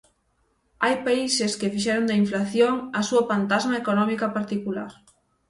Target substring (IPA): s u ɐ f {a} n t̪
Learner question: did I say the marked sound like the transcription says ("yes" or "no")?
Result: yes